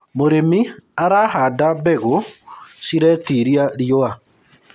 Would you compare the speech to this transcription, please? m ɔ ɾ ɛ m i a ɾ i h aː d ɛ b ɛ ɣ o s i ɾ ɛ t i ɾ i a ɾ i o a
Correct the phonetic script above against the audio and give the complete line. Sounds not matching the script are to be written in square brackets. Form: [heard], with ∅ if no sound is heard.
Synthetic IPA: m [o] ɾ [e] m i a ɾ [a] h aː d [a] b ɛ ɣ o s i ɾ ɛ t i ɾ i a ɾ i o a